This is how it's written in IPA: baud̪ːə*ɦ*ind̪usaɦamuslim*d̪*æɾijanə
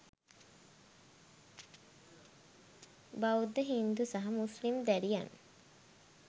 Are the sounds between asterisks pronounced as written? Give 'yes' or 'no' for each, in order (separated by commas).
yes, yes